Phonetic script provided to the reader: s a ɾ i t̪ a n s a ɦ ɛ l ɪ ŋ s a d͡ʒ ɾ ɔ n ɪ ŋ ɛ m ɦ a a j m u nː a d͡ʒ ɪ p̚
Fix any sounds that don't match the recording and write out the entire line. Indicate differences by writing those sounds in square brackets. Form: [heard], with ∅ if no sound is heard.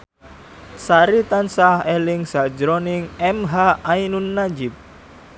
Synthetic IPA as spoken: s a ɾ i t̪ a n s a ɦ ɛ l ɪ ŋ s a d͡ʒ ɾ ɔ n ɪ ŋ ɛ m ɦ a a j [n] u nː a d͡ʒ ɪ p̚